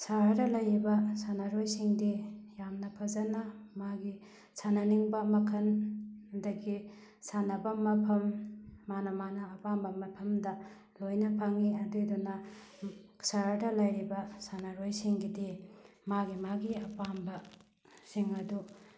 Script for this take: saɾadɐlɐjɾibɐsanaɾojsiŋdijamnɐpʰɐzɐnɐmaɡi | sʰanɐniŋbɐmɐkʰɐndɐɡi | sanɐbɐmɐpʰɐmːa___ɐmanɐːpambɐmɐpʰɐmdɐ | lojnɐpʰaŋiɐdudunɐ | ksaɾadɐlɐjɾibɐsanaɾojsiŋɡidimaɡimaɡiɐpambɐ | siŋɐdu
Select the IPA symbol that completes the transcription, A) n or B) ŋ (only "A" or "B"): A